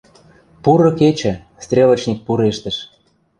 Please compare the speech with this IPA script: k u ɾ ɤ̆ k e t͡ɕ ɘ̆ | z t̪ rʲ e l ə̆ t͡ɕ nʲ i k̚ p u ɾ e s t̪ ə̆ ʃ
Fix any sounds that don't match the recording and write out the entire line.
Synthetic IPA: p u ɾ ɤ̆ k e t͡ɕ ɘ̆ | s t̪ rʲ e l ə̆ t͡ɕ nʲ i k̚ p u ɾ e ʃ t̪ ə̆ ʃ